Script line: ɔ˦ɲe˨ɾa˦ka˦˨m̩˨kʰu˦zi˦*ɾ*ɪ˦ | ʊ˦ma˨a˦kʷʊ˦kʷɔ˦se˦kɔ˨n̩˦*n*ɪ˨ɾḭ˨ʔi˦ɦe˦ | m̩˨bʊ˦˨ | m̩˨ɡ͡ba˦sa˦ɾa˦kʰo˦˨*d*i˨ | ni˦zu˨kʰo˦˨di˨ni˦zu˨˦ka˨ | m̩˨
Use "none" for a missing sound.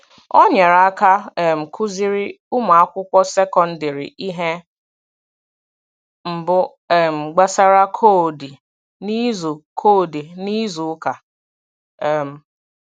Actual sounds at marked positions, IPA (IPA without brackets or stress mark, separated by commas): ɾ, d, d